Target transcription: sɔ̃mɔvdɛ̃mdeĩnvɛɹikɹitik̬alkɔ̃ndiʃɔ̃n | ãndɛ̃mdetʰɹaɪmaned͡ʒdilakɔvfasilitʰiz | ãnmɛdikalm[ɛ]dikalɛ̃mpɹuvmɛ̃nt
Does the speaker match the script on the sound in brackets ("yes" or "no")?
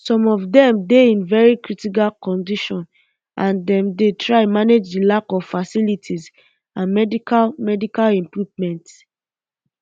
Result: yes